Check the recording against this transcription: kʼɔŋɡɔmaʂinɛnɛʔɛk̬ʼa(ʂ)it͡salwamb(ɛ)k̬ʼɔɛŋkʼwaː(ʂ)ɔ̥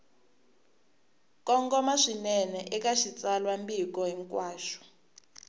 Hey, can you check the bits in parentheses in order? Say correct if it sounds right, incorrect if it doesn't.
incorrect, incorrect, incorrect

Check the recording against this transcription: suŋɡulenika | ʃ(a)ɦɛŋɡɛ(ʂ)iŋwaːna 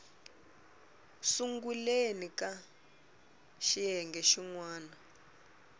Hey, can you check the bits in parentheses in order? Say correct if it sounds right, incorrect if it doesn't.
incorrect, incorrect

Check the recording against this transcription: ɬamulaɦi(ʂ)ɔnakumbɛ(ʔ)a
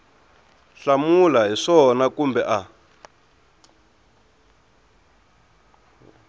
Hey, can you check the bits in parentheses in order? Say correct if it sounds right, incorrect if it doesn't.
correct, correct

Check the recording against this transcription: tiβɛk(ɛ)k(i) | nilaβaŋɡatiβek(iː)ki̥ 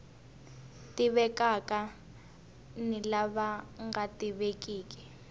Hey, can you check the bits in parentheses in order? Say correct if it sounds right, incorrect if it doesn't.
incorrect, incorrect, correct

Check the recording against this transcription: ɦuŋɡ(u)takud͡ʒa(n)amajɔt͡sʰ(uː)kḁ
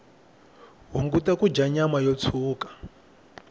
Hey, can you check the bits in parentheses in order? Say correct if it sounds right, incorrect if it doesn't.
correct, incorrect, correct

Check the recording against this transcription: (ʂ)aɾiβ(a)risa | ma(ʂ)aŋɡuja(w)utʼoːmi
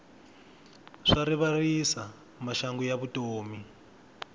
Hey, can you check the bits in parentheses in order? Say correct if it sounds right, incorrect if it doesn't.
correct, correct, incorrect, incorrect

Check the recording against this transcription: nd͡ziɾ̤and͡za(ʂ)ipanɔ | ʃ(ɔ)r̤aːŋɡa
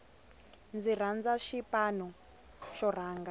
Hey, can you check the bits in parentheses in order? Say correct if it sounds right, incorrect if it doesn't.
incorrect, correct

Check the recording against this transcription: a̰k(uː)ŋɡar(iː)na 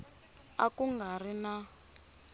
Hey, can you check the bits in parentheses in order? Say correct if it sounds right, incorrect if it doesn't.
incorrect, incorrect

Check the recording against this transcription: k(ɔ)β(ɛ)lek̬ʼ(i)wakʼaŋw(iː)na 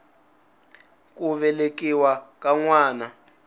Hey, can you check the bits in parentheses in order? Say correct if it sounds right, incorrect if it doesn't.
incorrect, correct, correct, incorrect

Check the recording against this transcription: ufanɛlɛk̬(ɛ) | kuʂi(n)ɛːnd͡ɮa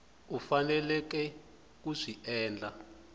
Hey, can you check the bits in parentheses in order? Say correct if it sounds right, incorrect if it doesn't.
correct, incorrect

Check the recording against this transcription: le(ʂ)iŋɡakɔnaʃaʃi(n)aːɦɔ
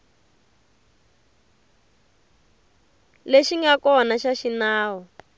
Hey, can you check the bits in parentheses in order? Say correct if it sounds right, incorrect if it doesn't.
incorrect, correct

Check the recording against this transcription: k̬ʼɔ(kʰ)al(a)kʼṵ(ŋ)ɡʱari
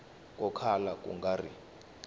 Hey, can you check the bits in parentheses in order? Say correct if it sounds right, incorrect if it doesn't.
correct, correct, correct

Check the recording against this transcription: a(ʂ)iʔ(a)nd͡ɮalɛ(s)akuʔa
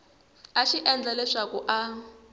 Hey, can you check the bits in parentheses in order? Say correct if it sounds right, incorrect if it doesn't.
incorrect, incorrect, incorrect

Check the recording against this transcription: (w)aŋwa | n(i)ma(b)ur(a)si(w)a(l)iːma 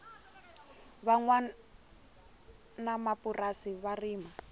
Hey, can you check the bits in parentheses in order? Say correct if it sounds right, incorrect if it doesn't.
incorrect, incorrect, incorrect, correct, incorrect, incorrect

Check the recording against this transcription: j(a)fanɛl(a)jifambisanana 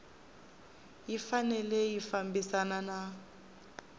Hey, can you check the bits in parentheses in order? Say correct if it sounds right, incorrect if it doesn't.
incorrect, incorrect

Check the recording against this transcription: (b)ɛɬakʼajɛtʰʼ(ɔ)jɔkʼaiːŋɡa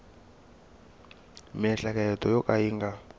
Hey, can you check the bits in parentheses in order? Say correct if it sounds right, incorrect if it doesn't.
incorrect, correct

